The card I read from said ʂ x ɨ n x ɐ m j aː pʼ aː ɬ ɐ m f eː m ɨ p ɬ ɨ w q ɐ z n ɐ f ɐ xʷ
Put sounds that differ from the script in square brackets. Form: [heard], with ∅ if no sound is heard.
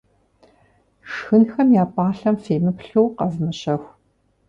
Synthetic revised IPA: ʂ x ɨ n x ɐ m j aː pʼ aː ɬ ɐ m f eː m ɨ p ɬ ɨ w q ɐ z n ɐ [ɕ] ɐ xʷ